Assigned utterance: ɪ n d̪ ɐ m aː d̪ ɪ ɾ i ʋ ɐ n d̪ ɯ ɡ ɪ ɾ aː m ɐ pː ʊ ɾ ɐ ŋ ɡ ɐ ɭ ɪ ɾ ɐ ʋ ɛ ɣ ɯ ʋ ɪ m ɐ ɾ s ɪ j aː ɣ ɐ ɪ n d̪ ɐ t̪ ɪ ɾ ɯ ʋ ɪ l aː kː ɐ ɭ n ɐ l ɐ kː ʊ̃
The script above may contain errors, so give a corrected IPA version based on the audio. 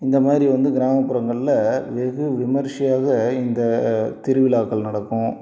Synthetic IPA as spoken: ɪ n d̪ ɐ m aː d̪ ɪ ɾ i ʋ ɐ n d̪ ɯ ɡ ɪ ɾ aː m ɐ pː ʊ ɾ ɐ ŋ ɡ ɐ ɭ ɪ l ɐ ʋ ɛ ɣ ɯ ʋ ɪ m ɐ ɾ ʂ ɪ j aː ɣ ɐ ɪ n d̪ ɐ t̪ ɪ ɾ ɯ ʋ ɪ l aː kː ɐ ɭ n ɐ ɽ ɐ kː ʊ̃

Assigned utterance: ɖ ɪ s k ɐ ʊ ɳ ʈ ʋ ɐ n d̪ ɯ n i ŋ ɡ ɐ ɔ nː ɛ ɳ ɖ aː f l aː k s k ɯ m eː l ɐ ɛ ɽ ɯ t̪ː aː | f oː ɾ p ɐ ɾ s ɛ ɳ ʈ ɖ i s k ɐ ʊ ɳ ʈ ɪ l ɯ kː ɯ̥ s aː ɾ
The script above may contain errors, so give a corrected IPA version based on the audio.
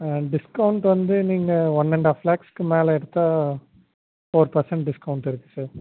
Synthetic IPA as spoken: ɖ ɪ s k ɐ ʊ ɳ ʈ ʋ ɐ n d̪ ɯ n iː ŋ ɡ ɐ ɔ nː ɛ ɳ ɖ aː f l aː k s k ɯ m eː l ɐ ɛ ɽ ɯ t̪ː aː | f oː ɾ p ɐ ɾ s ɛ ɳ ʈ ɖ ɪ s k ɐ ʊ ɳ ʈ ɪ ɾ ɯ kː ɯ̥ s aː ɾ

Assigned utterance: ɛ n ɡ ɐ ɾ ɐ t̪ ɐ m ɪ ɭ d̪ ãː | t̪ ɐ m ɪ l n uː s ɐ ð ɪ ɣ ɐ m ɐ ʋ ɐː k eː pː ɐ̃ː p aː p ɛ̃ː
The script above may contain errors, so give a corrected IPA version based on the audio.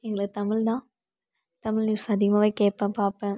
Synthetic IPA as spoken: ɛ ŋ ɡ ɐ ɭ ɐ t̪ ɐ m ɪ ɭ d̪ ãː | t̪ ɐ m ɪ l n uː s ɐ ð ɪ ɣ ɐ m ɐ ʋ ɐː k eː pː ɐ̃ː p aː p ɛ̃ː

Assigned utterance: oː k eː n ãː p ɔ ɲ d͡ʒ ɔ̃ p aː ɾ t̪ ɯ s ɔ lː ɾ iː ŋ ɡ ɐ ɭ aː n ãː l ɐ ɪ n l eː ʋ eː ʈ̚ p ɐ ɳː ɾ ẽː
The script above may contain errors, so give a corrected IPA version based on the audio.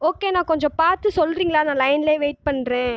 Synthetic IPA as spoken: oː k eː n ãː k ɔ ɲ d͡ʒ ɔ̃ p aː ɾ t̪ ɯ s ɔ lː ɾ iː ŋ ɡ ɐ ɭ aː n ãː l ɐ ɪ n l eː ʋ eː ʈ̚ p ɐ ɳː ɾ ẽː

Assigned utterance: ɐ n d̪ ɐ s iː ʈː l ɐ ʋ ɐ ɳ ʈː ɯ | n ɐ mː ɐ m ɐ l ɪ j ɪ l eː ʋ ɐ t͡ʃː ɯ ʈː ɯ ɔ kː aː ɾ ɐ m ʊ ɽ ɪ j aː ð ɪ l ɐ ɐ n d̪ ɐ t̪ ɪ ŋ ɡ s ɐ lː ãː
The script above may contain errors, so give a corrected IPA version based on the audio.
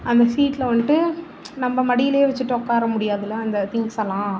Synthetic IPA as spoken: ɐ n d̪ ɐ s iː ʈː l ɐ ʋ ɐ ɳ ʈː ɯ | n ɐ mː ɐ m ɐ ɽ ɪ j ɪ l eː ʋ ɐ t͡ʃː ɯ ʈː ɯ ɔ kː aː ɾ ɐ m ʊ ɽ ɪ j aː ð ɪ l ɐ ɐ n d̪ ɐ t̪ ɪ ŋ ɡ s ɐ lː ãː

